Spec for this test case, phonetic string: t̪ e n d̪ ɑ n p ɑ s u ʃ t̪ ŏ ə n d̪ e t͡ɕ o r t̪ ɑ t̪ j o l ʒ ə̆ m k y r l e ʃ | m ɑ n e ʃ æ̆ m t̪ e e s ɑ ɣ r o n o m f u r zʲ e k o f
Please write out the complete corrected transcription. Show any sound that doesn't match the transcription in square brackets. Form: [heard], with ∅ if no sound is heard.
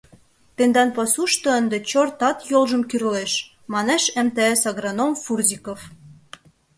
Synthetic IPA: t̪ e n d̪ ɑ n p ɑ s u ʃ t̪ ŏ ə n d̪ e t͡ɕ o r t̪ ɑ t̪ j o l ʒ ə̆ m k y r l e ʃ | m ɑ n e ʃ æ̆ m t̪ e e s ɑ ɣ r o n o m f u r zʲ [i] k o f